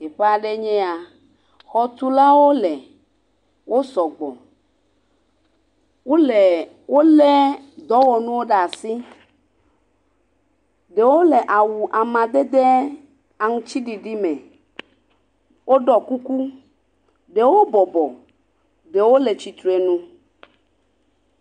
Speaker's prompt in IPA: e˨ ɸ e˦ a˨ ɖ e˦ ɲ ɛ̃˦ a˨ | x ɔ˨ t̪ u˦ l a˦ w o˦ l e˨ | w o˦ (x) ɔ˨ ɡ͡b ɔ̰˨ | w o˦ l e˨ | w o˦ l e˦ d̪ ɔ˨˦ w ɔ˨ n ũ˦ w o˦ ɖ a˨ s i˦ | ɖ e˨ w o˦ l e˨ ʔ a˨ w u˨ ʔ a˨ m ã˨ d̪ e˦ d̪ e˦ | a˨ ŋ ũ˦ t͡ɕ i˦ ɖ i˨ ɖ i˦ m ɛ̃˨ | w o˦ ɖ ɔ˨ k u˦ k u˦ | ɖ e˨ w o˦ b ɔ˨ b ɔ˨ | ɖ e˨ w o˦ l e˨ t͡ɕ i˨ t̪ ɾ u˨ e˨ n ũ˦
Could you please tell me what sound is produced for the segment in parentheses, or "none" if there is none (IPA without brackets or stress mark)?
s